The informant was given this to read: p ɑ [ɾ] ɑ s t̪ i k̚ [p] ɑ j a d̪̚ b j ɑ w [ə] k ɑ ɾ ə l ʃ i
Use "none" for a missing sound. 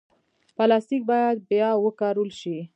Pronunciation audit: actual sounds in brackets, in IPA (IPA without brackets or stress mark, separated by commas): l, b, ə